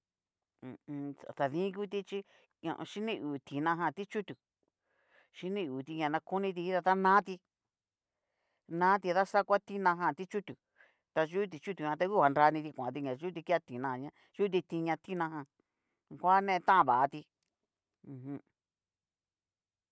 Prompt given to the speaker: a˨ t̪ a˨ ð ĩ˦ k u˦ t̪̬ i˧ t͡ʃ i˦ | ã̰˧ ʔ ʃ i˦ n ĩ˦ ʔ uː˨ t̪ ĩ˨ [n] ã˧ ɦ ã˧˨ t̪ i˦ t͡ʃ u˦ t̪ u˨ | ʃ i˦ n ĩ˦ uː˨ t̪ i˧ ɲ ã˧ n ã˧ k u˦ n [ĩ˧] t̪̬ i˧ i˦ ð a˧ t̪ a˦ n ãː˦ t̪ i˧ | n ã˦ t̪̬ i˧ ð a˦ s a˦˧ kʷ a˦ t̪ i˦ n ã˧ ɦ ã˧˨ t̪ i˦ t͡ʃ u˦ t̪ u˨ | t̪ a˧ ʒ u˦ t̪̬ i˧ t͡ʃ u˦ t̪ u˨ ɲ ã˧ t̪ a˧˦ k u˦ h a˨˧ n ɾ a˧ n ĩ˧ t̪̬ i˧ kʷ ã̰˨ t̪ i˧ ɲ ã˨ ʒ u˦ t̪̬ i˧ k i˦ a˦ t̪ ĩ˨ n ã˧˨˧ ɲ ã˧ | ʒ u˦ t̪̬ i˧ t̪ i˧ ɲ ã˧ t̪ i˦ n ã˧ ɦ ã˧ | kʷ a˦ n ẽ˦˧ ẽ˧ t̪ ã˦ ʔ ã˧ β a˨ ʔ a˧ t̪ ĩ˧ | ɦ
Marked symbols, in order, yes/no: yes, yes

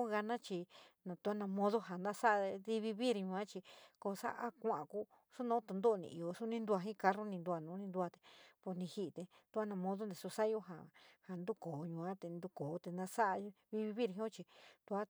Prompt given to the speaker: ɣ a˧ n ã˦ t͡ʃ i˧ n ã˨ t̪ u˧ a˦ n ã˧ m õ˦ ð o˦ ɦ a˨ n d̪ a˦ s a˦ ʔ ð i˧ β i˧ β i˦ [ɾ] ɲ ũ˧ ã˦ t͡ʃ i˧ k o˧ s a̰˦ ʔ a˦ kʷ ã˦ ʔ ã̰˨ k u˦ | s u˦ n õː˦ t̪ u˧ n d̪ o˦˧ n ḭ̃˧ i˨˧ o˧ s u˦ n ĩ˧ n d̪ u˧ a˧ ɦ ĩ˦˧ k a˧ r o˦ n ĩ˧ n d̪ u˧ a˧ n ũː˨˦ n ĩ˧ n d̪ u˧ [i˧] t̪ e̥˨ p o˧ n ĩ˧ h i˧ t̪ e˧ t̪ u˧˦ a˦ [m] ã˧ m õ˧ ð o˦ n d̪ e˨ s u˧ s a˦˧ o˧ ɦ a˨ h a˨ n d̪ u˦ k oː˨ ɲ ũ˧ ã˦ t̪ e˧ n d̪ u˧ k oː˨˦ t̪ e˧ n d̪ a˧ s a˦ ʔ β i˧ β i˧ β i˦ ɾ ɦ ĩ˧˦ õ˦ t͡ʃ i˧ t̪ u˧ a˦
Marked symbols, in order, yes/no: yes, no, no

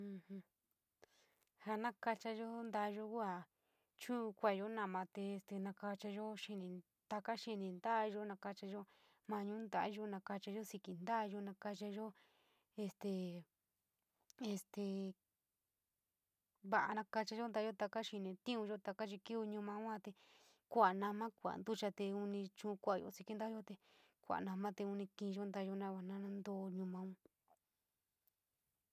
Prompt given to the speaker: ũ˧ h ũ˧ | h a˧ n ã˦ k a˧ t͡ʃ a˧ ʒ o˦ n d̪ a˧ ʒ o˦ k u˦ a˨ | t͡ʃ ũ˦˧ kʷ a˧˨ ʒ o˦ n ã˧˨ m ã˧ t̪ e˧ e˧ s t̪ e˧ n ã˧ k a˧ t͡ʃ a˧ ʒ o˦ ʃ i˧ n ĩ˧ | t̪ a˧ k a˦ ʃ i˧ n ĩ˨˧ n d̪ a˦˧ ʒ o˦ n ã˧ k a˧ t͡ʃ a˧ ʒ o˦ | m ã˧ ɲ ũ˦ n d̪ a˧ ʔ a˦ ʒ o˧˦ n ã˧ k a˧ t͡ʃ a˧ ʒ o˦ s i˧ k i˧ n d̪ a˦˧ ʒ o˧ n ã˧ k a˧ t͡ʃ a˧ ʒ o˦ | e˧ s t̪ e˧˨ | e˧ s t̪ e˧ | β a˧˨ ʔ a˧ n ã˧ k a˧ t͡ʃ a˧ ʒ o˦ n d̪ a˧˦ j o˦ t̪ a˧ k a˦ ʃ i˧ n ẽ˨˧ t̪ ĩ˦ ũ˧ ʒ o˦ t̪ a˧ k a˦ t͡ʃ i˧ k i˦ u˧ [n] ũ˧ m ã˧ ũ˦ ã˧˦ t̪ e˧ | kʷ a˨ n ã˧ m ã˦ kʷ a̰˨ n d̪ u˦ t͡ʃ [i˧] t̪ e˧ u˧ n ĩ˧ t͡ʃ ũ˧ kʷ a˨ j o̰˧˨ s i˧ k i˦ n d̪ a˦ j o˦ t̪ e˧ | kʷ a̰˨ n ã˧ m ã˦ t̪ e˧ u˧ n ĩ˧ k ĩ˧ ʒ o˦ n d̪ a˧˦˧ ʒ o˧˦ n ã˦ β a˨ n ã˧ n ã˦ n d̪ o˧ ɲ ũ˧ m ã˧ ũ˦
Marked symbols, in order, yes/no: no, no

